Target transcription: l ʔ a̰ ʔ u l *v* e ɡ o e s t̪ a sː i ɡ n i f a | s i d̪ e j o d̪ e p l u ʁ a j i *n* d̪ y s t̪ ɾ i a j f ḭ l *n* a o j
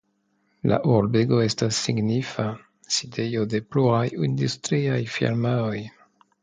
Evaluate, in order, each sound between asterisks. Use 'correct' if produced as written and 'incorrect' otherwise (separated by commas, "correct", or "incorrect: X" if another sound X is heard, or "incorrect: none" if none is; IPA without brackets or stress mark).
incorrect: b, correct, incorrect: m